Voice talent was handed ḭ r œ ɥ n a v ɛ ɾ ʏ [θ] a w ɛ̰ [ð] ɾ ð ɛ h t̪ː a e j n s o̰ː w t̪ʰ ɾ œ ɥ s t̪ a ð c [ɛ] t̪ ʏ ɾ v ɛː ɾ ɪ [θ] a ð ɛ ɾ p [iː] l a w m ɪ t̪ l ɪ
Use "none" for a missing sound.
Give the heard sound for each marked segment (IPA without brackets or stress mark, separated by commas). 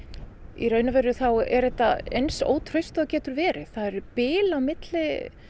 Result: θ, none, ɛː, θ, ɪː